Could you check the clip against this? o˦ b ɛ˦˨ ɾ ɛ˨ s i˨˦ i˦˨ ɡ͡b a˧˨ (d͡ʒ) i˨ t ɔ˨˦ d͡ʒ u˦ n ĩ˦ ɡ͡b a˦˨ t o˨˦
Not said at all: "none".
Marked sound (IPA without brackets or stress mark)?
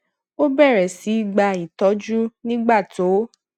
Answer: none